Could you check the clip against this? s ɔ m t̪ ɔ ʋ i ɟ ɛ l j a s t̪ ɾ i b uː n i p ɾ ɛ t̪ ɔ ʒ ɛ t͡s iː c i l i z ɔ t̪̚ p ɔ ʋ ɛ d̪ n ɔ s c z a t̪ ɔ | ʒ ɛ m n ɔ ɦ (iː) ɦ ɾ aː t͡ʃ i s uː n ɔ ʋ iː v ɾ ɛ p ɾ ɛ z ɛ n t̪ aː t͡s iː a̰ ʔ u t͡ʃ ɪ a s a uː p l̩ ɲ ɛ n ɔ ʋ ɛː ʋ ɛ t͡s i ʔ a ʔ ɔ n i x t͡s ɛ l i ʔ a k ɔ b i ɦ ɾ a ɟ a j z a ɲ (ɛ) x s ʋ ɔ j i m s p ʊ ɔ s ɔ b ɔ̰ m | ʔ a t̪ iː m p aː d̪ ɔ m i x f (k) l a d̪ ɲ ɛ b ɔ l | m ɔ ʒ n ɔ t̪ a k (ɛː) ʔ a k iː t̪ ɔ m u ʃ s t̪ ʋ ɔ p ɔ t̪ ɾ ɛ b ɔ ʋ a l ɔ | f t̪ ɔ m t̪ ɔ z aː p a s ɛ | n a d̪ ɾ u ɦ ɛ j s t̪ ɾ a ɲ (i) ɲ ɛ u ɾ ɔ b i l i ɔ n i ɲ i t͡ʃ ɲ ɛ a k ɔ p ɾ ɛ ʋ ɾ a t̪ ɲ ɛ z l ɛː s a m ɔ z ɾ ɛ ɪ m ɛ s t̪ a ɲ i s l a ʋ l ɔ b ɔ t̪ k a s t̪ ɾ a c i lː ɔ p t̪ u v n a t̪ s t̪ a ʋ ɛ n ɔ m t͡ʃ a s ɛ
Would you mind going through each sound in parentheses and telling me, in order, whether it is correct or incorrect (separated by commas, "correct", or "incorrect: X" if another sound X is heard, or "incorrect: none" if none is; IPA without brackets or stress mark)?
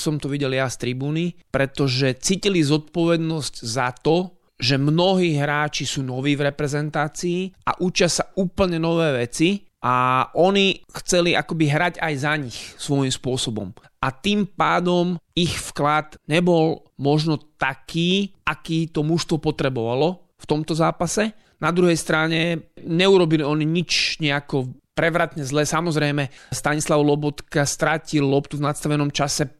correct, incorrect: i, correct, incorrect: iː, incorrect: ɛ